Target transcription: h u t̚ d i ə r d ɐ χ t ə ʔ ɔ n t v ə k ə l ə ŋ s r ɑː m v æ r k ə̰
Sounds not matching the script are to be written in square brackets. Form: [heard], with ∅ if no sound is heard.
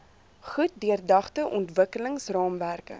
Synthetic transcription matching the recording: [χ] u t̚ d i ə r d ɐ χ t ə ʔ ɔ n t v ə k ə l ə ŋ s r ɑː m v æ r k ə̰